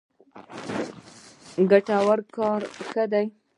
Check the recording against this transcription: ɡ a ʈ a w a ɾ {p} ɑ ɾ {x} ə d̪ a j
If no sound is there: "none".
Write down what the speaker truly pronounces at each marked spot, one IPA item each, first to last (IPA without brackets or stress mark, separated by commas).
k, x